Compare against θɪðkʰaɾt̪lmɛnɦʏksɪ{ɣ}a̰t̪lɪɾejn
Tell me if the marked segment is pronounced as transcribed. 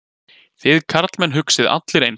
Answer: no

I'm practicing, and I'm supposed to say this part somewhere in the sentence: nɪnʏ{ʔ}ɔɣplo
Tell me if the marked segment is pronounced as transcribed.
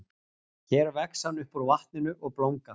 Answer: yes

